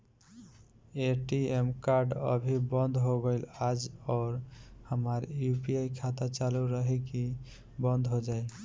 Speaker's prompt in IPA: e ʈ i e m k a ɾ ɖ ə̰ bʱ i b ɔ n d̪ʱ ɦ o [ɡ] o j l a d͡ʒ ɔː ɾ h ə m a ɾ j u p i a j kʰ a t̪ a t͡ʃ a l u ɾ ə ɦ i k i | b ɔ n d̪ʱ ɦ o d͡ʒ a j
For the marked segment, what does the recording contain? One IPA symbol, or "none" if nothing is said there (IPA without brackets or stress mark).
ɡ